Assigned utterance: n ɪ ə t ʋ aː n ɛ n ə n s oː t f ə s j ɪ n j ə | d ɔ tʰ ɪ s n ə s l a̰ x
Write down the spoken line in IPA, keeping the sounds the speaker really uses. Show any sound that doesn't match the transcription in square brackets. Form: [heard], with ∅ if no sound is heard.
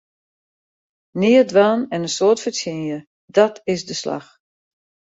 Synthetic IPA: n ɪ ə [d] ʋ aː n ɛ n ə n s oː t f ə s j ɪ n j ə | d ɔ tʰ ɪ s [d] ə s l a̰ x